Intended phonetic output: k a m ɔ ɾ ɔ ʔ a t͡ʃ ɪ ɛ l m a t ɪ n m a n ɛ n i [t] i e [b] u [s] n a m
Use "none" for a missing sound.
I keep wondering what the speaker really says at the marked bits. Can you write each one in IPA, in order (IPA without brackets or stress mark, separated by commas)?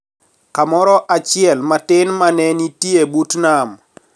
t, b, t